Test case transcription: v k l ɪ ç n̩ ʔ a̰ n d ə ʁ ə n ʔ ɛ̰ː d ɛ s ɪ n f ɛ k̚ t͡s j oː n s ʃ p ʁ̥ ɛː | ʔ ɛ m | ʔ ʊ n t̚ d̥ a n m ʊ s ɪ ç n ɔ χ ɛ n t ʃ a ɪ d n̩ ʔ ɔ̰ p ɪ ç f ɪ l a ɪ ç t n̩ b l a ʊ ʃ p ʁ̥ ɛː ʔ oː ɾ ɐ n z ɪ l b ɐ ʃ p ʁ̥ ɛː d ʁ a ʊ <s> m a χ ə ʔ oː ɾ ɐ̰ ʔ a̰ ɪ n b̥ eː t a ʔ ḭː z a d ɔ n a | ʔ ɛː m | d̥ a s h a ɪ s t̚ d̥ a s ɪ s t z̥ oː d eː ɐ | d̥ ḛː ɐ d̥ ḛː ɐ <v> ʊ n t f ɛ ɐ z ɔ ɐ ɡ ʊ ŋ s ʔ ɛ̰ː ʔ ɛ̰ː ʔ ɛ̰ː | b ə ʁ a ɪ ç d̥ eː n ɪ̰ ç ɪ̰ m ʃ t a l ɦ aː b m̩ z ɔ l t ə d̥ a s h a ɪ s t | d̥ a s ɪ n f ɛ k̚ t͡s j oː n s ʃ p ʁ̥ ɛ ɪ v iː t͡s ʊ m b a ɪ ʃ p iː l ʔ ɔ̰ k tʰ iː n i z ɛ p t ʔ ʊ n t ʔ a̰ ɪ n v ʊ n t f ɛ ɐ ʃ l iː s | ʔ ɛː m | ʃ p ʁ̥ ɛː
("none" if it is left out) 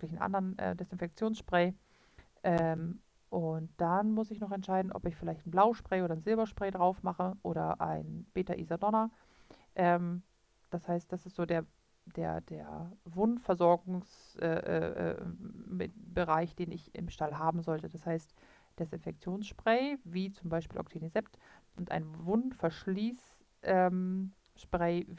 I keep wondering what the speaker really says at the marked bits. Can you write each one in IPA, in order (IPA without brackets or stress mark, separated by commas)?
f, v